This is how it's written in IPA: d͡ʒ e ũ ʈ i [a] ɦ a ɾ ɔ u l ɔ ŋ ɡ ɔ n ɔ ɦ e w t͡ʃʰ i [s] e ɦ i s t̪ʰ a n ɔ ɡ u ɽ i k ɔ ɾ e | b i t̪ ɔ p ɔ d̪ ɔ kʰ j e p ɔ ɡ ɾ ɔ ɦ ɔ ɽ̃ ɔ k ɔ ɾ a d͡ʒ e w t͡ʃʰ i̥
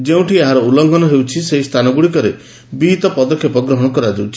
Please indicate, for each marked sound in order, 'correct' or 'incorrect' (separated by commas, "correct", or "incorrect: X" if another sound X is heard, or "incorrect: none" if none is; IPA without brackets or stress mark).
incorrect: e, correct